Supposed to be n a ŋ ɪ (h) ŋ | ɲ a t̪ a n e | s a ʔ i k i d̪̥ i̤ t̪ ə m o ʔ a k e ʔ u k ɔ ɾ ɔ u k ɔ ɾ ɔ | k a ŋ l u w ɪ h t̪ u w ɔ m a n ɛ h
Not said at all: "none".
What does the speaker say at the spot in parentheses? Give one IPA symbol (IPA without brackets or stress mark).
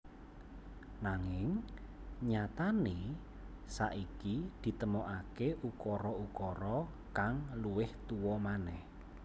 none